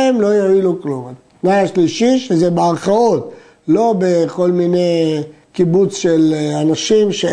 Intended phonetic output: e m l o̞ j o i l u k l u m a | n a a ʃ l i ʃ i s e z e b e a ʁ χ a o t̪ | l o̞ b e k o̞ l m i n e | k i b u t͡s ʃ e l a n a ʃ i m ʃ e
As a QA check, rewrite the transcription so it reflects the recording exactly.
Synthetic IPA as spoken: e m l o̞ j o i l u k l u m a | n a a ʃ l i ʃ i ʃ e z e b e a ʁ χ a o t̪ | l o̞ b e k o̞ l m i n e | k i b u t͡s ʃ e l a n a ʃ i m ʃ e